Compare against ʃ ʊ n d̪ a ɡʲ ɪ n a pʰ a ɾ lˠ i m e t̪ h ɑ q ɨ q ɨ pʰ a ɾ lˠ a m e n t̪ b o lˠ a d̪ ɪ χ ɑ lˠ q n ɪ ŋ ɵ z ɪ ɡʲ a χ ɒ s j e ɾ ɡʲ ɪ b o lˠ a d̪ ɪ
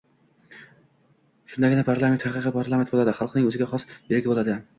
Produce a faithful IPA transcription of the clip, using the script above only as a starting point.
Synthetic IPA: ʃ ʊ n d̪ a ɡʲ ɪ n a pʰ a ɾ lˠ a m e t̪ h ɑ q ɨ q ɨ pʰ a ɾ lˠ a m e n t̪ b o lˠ a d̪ ɪ χ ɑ lˠ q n ɪ ŋ ɵ z ɪ ɡʲ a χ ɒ s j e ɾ ɡʲ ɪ b o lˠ a d̪ ɪ